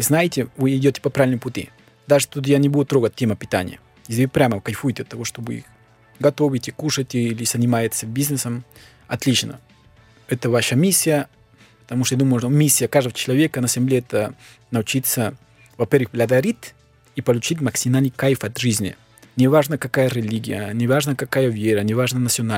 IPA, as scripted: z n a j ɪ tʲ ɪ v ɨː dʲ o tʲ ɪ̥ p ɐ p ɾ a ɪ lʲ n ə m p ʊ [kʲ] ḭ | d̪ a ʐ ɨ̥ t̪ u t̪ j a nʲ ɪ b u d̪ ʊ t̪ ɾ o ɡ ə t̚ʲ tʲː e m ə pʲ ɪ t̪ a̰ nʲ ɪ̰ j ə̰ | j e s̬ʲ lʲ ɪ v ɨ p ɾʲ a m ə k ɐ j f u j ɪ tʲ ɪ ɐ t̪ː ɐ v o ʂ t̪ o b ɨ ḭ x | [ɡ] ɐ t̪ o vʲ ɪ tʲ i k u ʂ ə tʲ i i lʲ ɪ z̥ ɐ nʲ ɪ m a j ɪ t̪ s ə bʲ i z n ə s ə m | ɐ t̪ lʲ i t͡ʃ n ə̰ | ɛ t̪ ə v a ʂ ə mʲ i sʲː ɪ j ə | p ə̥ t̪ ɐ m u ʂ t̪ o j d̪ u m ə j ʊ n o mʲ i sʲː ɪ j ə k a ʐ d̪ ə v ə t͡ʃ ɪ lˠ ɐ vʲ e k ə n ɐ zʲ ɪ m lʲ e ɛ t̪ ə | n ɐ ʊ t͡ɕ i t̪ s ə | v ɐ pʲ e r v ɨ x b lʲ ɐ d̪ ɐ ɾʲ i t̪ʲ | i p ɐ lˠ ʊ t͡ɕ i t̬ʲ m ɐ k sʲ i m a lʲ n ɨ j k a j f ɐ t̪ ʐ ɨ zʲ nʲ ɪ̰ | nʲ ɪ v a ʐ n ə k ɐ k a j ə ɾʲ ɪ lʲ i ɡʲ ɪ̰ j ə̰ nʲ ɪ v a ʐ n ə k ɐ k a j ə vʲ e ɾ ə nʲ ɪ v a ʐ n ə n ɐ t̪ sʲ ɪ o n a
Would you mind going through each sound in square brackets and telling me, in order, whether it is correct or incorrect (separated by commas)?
incorrect, correct